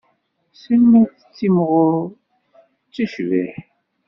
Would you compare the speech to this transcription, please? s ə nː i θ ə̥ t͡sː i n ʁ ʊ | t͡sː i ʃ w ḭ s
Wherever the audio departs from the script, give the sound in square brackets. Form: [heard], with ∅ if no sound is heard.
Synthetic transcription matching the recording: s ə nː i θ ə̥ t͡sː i [m] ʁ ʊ | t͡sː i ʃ [v] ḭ [ħ]